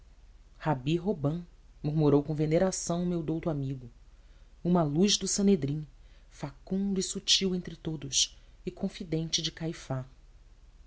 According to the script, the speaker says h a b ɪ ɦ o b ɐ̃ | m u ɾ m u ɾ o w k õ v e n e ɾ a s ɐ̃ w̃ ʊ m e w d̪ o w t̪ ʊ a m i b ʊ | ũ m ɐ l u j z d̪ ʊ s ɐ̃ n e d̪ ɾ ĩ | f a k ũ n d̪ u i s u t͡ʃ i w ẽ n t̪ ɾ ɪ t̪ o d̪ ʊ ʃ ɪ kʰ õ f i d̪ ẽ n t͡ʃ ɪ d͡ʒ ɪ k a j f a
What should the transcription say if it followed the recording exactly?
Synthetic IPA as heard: h a b i ɦ o b ɐ̃ | m u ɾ m u ɾ o w k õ v e n e ɾ a s ɐ̃ w̃ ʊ m e w d̪ o w t̪ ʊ a m i ɡ ʊ | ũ m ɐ l u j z d̪ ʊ s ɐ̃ n e d̪ ɾ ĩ | f a k ũ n d̪ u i s u t͡ʃ i w ẽ n t̪ ɾ ɪ t̪ o d̪ ʊ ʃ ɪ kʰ õ f i d̪ ẽ n t͡ʃ ɪ d͡ʒ ɪ k a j f a